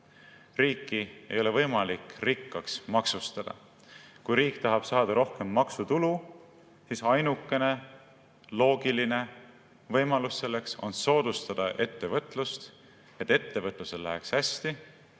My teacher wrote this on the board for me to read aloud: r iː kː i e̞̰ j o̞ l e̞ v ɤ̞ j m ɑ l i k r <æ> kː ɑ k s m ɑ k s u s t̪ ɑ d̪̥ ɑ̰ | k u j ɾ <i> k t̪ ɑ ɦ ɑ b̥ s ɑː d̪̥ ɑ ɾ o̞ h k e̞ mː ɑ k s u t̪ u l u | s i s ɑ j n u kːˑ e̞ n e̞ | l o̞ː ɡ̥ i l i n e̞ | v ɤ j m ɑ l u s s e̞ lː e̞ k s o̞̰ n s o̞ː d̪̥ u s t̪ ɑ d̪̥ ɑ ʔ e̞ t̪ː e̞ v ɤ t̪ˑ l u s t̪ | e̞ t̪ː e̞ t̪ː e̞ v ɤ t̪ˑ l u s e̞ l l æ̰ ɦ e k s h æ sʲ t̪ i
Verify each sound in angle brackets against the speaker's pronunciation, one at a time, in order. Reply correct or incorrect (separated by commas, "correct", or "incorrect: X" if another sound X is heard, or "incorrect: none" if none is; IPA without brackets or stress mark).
incorrect: i, incorrect: iː